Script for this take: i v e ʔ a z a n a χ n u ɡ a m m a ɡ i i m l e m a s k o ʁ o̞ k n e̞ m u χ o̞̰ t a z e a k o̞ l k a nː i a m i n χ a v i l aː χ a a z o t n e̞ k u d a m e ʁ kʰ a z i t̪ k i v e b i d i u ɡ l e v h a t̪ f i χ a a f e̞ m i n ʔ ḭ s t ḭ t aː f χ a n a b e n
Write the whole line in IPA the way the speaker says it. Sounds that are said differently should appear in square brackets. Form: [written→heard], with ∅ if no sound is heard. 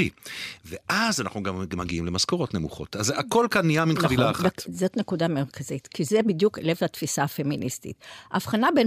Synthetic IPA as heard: i v e ʔ a z a n a χ n u ɡ a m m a ɡ i i m l e m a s k o ʁ o̞ [k→t] n e̞ m u χ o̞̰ t a z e a k o̞ l k a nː i a m i n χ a v i l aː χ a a z o t n e̞ k u d a m e ʁ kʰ a z i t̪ k i [v→z] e b i d [i→j] u [ɡ→k] l e v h a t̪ f i [χ→s] a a f e̞ m i n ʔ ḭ s t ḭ t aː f χ a n a b e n